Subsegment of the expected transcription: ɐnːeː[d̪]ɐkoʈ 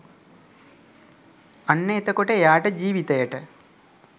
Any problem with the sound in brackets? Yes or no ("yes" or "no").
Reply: yes